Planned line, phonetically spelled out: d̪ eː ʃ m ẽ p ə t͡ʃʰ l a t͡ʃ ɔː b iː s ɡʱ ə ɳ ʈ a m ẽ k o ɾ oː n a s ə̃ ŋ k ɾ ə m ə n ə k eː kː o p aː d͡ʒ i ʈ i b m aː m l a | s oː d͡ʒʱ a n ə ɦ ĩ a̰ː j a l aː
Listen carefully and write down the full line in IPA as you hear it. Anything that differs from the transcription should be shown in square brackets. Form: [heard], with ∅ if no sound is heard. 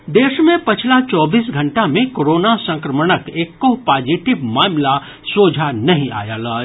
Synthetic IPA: d̪ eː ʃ m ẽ p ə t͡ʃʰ l a t͡ʃ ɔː b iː s ɡʱ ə ɳ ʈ a m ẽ k o ɾ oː n a s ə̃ ŋ k ɾ ə m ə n ə k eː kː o p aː d͡ʒ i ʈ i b m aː m l a | s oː d͡ʒʱ a n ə ɦ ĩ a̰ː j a l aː

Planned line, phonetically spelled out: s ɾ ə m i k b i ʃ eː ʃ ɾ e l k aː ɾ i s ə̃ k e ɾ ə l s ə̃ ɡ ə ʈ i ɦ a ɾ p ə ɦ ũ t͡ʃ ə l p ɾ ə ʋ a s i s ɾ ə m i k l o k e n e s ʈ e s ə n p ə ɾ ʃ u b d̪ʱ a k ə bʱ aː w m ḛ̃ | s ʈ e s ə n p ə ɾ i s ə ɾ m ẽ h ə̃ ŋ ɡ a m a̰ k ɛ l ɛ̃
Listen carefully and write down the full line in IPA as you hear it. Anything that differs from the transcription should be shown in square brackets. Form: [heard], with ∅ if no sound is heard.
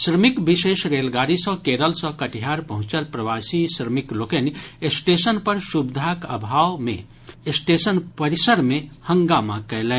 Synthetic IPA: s ɾ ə m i k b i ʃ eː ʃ ɾ e l [ɡ] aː ɾ i s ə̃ k e ɾ ə l s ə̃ [k] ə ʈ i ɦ a ɾ p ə ɦ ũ t͡ʃ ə l p ɾ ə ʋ a s i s ɾ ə m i k l o k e n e s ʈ e s ə n p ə ɾ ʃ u b d̪ʱ a k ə bʱ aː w m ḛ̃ | s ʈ e s ə n p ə ɾ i s ə ɾ m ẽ h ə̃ ŋ ɡ a m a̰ k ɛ l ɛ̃

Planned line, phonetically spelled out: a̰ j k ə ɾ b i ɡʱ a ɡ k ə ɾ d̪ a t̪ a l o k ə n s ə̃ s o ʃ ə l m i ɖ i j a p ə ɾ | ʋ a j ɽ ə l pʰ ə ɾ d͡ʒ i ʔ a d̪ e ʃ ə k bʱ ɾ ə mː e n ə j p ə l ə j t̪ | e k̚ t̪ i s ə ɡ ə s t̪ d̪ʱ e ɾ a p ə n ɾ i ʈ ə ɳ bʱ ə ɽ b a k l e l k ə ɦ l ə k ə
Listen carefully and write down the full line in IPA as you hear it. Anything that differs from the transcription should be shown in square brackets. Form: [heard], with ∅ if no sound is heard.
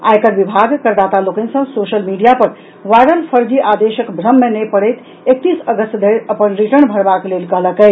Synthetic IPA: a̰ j k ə ɾ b i [bʱ] a ɡ k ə ɾ d̪ a t̪ a l o k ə n s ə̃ s o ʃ ə l m i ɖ i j a p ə ɾ | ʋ a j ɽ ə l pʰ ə ɾ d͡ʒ i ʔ a d̪ e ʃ ə k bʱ ɾ ə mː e n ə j p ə [ɽ] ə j t̪ | e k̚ t̪ i s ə ɡ ə s t̪ d̪ʱ e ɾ [ə] p ə n ɾ i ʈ ə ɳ bʱ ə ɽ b a k l e l k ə ɦ l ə k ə

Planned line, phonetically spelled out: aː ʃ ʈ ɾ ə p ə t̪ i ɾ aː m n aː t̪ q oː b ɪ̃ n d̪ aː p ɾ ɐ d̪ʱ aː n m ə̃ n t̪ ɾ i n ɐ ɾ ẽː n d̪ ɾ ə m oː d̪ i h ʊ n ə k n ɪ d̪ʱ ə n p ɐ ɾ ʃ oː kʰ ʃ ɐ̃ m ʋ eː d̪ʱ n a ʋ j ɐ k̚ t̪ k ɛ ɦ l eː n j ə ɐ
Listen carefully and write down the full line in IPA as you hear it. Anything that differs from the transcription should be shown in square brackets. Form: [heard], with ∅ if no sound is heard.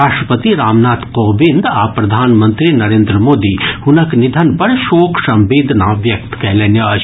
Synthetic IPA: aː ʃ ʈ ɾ ə p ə t̪ i ɾ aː m n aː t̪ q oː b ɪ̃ n d̪ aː p ɾ ɐ d̪ʱ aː n m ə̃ n t̪ ɾ i n ɐ ɾ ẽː n d̪ ɾ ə m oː d̪ i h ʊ n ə k n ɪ d̪ʱ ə n p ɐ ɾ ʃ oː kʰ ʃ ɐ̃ m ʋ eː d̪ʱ n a ʋ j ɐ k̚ t̪ k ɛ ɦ l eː n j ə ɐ

